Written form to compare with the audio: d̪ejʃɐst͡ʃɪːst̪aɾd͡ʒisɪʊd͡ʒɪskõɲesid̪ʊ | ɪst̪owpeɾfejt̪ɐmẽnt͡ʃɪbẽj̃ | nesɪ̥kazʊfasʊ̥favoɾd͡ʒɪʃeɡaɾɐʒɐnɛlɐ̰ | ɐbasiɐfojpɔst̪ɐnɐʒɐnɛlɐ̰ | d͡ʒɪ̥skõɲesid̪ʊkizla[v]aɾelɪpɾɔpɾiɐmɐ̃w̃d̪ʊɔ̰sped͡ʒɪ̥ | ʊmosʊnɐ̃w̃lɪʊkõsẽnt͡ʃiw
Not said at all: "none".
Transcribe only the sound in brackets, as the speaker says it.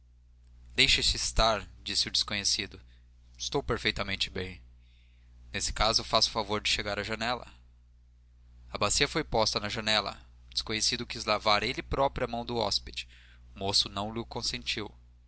v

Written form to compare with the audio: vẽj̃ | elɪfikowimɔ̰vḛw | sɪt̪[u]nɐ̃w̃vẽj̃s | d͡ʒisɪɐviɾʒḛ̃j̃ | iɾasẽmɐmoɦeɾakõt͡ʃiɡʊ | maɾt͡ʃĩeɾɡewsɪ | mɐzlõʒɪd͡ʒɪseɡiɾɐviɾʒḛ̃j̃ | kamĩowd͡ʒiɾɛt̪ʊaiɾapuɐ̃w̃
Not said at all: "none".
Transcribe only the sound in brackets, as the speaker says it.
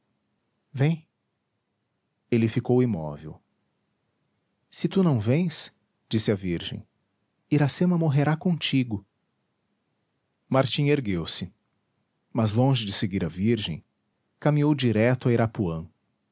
u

